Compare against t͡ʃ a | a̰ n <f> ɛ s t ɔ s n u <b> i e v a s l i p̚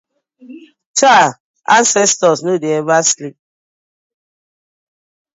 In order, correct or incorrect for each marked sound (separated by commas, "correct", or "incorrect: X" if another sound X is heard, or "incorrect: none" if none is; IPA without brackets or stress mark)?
incorrect: s, incorrect: d